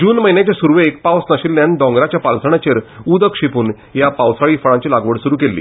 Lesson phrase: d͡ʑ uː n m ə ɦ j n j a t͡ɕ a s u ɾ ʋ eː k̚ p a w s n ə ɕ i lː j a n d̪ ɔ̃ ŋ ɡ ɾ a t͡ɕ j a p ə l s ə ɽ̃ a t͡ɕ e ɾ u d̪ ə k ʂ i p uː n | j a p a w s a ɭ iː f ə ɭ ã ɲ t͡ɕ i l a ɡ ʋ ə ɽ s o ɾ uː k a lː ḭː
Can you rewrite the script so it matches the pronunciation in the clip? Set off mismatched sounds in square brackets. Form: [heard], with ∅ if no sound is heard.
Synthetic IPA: d͡ʑ uː n m ə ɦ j n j a t͡ɕ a s u ɾ ʋ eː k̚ p a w s n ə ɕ i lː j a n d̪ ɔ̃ ŋ ɡ ɾ a t͡ɕ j a p [a] l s ə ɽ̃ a t͡ɕ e ɾ u d̪ ə k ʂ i p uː n | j a p a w s a ɭ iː f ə ɭ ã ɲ t͡ɕ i l a ɡ ʋ ə ɽ s [u] ɾ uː k [e] lː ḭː